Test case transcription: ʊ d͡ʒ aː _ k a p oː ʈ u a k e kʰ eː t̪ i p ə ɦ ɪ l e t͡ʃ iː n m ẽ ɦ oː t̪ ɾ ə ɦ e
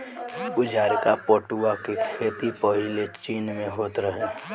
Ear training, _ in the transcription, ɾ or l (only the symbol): ɾ